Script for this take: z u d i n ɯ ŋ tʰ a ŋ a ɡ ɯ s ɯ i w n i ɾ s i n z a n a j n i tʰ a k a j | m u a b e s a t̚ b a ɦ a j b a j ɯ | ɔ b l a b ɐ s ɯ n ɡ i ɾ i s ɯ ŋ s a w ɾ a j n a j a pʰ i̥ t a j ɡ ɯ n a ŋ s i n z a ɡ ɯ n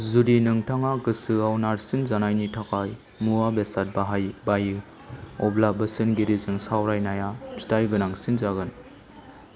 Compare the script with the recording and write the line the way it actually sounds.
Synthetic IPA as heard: z u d i n ɯ ŋ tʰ a ŋ a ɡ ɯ s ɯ a w n a ɾ s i n z a n a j n i tʰ a k a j | m u a b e s a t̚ b a ɦ a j b a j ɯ | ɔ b l a b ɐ s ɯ n ɡ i ɾ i z ɯ ŋ s a w ɾ a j n a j a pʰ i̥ t a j ɡ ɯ n a ŋ s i n z a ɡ ɯ n